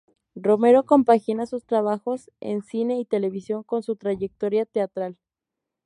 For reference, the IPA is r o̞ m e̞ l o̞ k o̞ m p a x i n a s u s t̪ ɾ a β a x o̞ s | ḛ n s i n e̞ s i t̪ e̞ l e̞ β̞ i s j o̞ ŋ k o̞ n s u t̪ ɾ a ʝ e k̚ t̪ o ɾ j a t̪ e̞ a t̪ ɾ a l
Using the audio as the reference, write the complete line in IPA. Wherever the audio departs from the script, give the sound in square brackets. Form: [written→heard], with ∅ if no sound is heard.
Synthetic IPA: r o̞ m e̞ [l→ɾ] o̞ k o̞ m p a x i n a s u s t̪ ɾ a β a x o̞ s | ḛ n s i n e̞ [s→∅] i t̪ e̞ l e̞ β̞ i s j o̞ ŋ k o̞ n s u t̪ ɾ a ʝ e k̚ t̪ o ɾ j a t̪ e̞ a t̪ ɾ a l